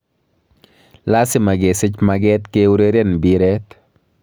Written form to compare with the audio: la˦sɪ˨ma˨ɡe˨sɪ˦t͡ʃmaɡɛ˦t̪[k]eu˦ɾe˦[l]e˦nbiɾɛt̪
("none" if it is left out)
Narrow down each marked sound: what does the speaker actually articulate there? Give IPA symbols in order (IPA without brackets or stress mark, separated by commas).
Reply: k, ɾ